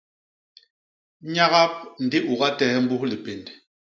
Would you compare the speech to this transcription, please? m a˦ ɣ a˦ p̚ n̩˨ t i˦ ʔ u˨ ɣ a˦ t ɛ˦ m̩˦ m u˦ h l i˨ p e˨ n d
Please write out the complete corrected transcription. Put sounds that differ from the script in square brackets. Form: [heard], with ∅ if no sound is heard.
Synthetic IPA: [ɲ] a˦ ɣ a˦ p̚ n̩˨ [d] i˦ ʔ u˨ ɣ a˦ t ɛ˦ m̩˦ [b] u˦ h l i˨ p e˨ n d